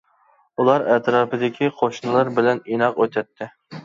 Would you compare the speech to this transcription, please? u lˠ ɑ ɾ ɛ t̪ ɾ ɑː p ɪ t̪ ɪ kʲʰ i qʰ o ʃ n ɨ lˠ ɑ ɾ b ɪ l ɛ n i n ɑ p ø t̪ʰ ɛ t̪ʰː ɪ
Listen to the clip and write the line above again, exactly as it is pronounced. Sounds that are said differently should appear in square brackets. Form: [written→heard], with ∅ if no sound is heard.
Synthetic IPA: u lˠ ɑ ɾ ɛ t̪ ɾ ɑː p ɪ [t̪→d̪] ɪ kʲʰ i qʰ o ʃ n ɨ lˠ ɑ ɾ b ɪ l ɛ n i n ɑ [p→q] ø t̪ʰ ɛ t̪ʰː ɪ